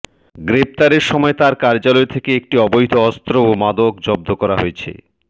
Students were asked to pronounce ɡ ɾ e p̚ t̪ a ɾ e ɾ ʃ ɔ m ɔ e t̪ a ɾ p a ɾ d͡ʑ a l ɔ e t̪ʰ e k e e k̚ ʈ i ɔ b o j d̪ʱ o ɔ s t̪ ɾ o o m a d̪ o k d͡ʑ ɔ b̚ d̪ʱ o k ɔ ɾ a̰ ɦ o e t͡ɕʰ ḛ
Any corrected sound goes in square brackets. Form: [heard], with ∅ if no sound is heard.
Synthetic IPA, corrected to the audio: ɡ ɾ e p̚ t̪ a ɾ e ɾ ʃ ɔ m ɔ e t̪ a ɾ [k] a ɾ d͡ʑ a l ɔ e t̪ʰ e k e e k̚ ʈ i ɔ b o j d̪ʱ o ɔ s t̪ ɾ o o m a d̪ o k d͡ʑ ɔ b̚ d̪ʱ o k ɔ ɾ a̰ ɦ o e t͡ɕʰ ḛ